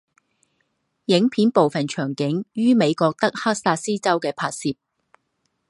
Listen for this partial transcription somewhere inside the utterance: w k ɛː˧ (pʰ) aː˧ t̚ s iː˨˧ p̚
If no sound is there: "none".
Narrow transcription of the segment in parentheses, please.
pʰ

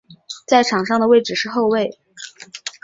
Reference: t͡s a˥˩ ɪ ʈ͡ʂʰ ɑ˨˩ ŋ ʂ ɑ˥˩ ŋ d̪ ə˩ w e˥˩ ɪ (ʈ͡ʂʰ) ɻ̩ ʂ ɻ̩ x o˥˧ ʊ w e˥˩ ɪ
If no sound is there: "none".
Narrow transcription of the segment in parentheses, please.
ʈ͡ʂ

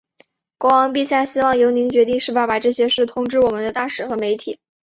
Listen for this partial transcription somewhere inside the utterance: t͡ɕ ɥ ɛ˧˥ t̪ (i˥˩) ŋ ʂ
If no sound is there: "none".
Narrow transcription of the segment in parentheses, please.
i˥˧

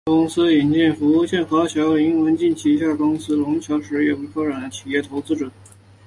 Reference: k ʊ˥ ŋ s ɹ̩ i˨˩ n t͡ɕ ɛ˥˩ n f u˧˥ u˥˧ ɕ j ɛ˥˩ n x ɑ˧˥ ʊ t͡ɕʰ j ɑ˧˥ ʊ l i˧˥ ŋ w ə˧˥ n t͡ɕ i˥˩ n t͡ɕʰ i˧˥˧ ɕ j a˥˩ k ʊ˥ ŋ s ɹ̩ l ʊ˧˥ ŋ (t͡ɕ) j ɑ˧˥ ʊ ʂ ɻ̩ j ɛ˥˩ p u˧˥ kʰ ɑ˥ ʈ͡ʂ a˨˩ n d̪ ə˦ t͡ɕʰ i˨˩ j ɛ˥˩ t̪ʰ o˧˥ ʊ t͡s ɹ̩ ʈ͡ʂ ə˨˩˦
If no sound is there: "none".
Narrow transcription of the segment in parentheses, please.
t͡ɕʰ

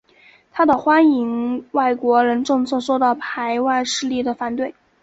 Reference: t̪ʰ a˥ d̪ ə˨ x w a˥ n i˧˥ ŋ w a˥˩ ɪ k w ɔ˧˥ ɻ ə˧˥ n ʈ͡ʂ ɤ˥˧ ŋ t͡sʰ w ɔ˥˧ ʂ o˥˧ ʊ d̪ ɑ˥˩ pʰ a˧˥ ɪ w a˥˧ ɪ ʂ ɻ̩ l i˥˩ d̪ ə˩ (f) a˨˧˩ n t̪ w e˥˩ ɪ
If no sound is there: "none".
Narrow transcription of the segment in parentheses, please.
f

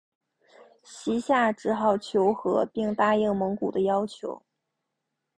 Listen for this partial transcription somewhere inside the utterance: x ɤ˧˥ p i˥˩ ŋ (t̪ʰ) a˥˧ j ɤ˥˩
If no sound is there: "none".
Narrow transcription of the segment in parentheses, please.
t̪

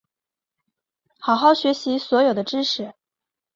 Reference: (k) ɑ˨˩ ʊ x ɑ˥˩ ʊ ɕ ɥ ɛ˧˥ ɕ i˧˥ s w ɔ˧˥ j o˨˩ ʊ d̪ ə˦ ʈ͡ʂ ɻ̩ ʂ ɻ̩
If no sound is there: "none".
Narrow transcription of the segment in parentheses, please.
x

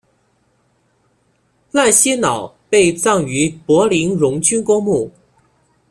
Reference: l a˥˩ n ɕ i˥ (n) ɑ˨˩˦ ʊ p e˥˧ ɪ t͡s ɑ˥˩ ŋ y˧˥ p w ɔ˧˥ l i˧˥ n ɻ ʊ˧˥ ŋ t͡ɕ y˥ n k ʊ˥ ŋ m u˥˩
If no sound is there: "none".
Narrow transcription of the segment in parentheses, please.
n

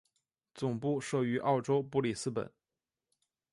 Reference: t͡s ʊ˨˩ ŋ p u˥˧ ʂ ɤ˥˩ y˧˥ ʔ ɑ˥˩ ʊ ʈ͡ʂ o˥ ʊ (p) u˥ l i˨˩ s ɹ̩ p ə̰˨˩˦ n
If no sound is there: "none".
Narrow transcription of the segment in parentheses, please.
p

